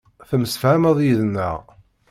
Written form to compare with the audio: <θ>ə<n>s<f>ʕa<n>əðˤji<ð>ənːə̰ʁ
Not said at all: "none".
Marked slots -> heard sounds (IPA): θ, m, f, m, ð

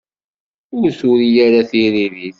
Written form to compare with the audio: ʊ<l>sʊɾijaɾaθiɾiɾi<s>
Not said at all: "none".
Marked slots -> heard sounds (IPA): ɾ, θ

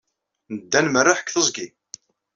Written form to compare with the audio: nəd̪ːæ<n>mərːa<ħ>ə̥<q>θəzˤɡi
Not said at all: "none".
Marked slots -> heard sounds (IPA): n, ħ, k

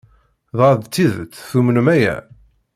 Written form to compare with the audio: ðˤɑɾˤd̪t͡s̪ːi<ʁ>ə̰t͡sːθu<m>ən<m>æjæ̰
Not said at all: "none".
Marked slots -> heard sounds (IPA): ð, m, m

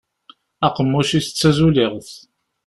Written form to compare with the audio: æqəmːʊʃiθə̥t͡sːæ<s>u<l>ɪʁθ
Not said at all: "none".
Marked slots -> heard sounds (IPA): z, l

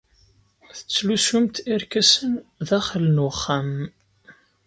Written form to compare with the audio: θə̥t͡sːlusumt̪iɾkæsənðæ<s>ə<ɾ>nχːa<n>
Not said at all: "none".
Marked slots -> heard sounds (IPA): χ, l, m

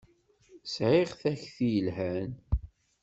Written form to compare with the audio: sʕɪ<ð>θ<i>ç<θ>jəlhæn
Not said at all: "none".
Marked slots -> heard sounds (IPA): ʁ, æ, θ

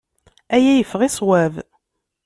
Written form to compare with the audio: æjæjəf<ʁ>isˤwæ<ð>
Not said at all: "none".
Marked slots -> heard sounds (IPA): ʁ, v

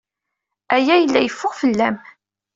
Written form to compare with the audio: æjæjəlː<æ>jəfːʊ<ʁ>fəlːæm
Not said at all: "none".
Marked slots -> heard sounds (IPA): æ, ʁ

